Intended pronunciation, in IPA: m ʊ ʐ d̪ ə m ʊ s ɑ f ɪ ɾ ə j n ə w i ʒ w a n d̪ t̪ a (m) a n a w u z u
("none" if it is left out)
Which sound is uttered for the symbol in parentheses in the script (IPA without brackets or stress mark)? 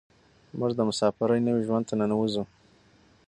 n